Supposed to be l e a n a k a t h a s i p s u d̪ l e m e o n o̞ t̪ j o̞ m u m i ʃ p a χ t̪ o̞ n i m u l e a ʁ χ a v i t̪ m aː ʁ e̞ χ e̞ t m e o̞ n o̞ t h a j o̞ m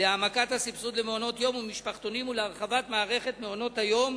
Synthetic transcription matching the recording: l e a m a k a t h a s i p s u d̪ l e m e o n o̞ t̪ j o̞ m u m i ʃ p a χ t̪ o̞ n i m u l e a ʁ χ a v a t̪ m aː ʁ e̞ χ e̞ t m e o̞ n o̞ t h a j o̞ m